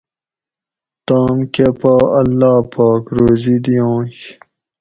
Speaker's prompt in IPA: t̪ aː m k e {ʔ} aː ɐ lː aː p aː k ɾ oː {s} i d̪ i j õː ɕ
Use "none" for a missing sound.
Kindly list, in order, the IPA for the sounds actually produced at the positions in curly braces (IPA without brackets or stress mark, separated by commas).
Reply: p, z